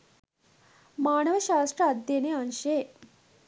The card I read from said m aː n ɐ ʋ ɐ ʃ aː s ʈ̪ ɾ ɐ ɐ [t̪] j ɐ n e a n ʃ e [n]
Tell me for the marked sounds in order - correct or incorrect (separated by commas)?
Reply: incorrect, incorrect